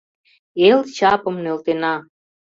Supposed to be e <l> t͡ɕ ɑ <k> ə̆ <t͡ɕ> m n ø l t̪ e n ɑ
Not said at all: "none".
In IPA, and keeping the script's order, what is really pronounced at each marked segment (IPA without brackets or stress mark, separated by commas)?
l, p, none